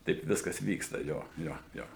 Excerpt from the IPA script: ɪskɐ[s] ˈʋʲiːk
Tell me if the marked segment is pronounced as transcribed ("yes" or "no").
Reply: yes